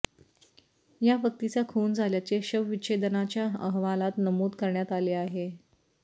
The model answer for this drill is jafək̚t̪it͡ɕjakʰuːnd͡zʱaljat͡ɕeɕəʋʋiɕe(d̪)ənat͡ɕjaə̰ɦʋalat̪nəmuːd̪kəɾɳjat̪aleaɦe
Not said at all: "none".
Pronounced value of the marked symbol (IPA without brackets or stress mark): d̪